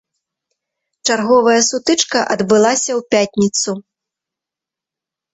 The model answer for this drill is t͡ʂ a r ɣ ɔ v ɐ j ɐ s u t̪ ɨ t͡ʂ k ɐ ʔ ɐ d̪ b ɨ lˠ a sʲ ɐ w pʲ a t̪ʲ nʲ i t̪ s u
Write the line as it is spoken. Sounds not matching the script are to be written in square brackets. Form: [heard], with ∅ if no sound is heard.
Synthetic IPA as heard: t͡ʂ a r ɣ ɔ v ɐ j ɐ s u t̪ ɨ t͡ʂ k ɐ ʔ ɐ d̪ b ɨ lˠ a sʲ ɐ w pʲ a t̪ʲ nʲ i t̪ s u